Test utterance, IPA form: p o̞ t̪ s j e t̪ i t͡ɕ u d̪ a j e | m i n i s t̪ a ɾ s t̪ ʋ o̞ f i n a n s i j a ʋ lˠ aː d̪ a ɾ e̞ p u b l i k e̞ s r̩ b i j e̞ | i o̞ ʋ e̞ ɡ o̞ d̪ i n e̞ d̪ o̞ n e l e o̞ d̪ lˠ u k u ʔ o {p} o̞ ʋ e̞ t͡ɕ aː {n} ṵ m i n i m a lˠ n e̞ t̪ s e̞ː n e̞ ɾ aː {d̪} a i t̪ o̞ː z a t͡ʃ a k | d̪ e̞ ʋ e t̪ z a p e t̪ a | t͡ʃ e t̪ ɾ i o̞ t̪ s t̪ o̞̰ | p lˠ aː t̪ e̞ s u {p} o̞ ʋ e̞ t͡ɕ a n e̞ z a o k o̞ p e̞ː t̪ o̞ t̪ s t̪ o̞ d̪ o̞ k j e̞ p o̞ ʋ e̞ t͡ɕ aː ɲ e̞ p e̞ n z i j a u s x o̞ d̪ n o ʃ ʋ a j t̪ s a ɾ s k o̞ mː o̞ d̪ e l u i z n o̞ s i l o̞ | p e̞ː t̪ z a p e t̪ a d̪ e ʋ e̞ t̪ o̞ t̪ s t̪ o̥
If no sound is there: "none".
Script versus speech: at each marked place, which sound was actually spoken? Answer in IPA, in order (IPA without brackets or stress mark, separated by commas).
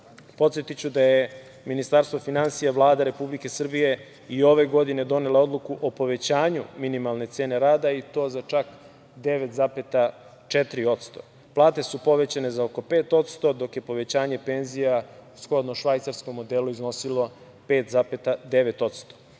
p, ɲ, d̪, p